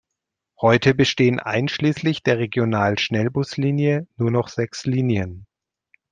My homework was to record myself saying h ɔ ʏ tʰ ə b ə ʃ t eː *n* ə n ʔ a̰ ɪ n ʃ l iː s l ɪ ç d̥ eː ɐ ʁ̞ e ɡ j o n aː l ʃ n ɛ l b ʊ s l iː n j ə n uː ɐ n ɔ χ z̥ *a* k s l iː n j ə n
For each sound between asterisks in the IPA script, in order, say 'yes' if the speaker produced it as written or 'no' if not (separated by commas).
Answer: no, no